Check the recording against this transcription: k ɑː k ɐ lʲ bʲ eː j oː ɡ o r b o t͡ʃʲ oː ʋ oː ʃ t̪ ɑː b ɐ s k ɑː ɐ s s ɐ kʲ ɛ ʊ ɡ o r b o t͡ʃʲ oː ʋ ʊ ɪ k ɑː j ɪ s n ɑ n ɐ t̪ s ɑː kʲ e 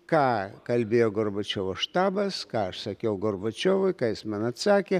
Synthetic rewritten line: k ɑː k ɐ lʲ bʲ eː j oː ɡ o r b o t͡ʃʲ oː ʋ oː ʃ t̪ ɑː b ɐ s k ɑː ɐ ʃ s ɐ kʲ ɛ ʊ ɡ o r b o t͡ʃʲ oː ʋ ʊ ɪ k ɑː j ɪ s m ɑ n ɐ t̪ s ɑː kʲ e

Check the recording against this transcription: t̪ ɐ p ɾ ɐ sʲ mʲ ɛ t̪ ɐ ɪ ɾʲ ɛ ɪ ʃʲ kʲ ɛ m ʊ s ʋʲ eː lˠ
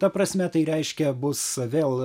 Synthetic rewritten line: t̪ ɐ p ɾ ɐ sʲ mʲ ɛ t̪ ɐ ɪ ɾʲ ɛ ɪ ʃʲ kʲ ɛ b ʊ s ʋʲ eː lˠ

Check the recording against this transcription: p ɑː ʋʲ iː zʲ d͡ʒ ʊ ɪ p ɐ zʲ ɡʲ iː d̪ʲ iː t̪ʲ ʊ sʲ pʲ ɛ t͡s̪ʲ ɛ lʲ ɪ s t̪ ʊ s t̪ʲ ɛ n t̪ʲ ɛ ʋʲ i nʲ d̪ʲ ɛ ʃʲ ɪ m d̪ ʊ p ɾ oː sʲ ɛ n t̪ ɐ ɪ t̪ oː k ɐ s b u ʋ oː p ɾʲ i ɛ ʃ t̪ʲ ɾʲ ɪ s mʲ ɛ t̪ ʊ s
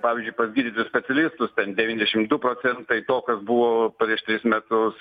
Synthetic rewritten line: p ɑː ʋʲ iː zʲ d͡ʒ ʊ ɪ p ɐ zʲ ɡʲ iː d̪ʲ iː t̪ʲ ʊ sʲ pʲ ɛ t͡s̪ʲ ɛ lʲ ɪ s t̪ ʊ s t̪ʲ ɛ n d̪ʲ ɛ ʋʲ i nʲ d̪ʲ ɛ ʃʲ ɪ m d̪ ʊ p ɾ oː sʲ ɛ n t̪ ɐ ɪ t̪ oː k ɐ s b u ʋ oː p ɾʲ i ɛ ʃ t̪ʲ ɾʲ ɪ s mʲ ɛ t̪ ʊ s

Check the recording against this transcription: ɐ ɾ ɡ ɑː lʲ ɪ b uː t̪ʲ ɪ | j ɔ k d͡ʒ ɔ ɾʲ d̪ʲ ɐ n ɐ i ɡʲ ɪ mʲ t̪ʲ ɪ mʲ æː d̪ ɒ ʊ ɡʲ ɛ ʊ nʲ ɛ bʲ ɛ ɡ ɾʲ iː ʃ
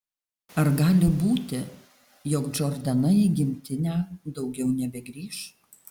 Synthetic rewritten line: ɐ ɾ ɡ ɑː lʲ ɪ b uː t̪ʲ ɪ | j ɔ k d͡ʒ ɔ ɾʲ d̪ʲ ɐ n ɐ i ɡʲ ɪ mʲ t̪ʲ ɪ nʲ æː d̪ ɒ ʊ ɡʲ ɛ ʊ nʲ ɛ bʲ ɛ ɡ ɾʲ iː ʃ

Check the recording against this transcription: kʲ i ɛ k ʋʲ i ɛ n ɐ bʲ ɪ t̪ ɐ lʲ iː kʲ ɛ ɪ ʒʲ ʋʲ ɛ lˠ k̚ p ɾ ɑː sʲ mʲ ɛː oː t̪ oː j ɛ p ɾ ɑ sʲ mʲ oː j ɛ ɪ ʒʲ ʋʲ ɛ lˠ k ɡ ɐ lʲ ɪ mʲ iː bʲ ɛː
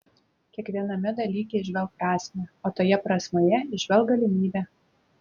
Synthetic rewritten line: kʲ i ɛ k ʋʲ i ɛ n ɐ mʲ ɪ d̪ ɐ lʲ iː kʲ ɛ ɪ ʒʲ ʋʲ ɛ lˠ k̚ p ɾ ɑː sʲ mʲ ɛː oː t̪ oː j ɛ p ɾ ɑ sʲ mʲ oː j ɛ ɪ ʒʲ ʋʲ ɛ lˠ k ɡ ɐ lʲ ɪ mʲ iː bʲ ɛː

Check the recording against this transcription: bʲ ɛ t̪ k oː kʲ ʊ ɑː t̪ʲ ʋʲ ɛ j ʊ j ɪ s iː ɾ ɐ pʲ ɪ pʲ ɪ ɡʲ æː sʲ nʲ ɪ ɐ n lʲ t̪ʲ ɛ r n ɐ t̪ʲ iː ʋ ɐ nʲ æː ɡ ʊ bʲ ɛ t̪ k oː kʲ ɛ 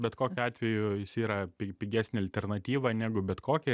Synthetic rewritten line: bʲ ɛ t̪ k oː kʲ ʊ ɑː t̪ʲ ʋʲ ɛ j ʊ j ɪ s iː ɾ ɐ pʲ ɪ pʲ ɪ ɡʲ æː sʲ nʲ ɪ ɐ lʲ t̪ʲ ɛ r n ɐ t̪ʲ iː ʋ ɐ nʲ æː ɡ ʊ bʲ ɛ t̪ k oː kʲ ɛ

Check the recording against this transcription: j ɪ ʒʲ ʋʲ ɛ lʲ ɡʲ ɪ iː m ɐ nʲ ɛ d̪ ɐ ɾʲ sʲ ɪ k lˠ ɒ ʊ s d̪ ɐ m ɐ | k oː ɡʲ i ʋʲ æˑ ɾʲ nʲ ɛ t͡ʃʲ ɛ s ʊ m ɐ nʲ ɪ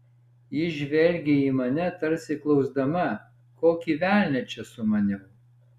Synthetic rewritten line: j ɪ ʒʲ ʋʲ ɛ lʲ ɡʲ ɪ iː m ɐ nʲ ɛ t̪ ɐ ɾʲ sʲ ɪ k lˠ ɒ ʊ z d̪ ɐ m ɐ | k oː kʲ i ʋʲ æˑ lʲ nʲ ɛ t͡ʃʲ ɛ s ʊ m ɐ nʲ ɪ

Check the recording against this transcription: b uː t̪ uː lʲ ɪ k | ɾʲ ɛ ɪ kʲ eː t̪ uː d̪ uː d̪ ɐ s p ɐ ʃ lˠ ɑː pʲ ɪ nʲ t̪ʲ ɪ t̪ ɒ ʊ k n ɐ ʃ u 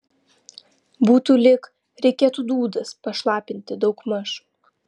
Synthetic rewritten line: b uː t̪ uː lʲ ɪ k | ɾʲ ɛ ɪ kʲ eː t̪ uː d̪ uː d̪ ɐ s p ɐ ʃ lˠ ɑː pʲ ɪ nʲ t̪ʲ ɪ d̪ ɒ ʊ k m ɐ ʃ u

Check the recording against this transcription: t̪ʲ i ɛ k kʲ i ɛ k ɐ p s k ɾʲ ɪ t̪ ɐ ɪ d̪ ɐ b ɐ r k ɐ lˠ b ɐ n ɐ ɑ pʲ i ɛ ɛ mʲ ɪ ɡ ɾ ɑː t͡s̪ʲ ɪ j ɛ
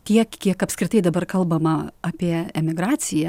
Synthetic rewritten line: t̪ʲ i ɛ k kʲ i ɛ k ɐ p s k ɾʲ ɪ t̪ ɐ ɪ d̪ ɐ b ɐ r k ɐ lˠ b ɐ m ɐ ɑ pʲ i ɛ ɛ mʲ ɪ ɡ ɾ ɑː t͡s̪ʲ ɪ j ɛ

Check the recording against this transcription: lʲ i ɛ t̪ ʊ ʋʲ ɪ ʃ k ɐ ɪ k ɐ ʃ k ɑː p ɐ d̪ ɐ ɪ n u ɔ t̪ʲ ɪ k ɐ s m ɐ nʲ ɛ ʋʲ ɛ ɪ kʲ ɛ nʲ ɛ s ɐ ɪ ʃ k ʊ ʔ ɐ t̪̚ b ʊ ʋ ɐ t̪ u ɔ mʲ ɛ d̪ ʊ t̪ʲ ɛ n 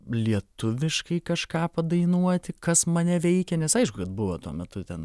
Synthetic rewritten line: lʲ i ɛ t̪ ʊ ʋʲ ɪ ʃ k ɐ ɪ k ɐ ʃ k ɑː p ɐ d̪ ɐ ɪ n u ɔ t̪ʲ ɪ k ɐ s m ɐ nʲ ɛ ʋʲ ɛ ɪ kʲ ɛ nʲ ɛ s ɐ ɪ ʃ k ʊ k ɐ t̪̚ b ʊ ʋ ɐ t̪ u ɔ mʲ ɛ t̪ ʊ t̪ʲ ɛ n

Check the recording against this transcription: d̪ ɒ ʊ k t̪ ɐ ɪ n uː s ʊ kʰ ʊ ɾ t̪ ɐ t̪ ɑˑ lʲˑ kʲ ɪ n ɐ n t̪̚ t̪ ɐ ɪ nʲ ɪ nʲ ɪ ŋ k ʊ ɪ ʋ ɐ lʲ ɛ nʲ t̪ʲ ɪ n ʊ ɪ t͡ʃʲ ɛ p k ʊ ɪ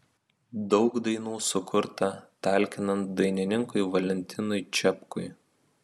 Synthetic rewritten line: d̪ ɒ ʊ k d̪ ɐ ɪ n uː s ʊ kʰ ʊ ɾ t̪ ɐ t̪ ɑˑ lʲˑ kʲ ɪ n ɐ n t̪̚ d̪ ɐ ɪ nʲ ɪ nʲ ɪ ŋ k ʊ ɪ ʋ ɐ lʲ ɛ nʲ t̪ʲ ɪ n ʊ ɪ t͡ʃʲ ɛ p k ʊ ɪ

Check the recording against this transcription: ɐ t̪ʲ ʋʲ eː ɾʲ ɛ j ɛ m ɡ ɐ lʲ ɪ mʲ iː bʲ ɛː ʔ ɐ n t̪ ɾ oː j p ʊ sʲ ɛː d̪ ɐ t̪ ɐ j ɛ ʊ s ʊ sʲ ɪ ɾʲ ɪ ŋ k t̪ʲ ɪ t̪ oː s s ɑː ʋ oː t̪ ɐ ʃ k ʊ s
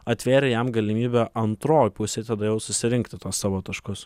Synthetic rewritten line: ɐ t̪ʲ ʋʲ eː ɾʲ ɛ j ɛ m ɡ ɐ lʲ ɪ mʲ iː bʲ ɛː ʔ ɐ n t̪ ɾ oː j p ʊ sʲ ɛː t̪ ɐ d̪ ɐ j ɛ ʊ s ʊ sʲ ɪ ɾʲ ɪ ŋ k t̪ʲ ɪ t̪ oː s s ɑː ʋ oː t̪ ɐ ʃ k ʊ s

